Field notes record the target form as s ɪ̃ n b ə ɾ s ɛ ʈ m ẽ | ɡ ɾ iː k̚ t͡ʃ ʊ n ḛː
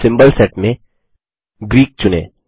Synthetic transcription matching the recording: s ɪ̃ m b ə l s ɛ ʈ m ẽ | ɡ ɾ iː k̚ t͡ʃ ʊ n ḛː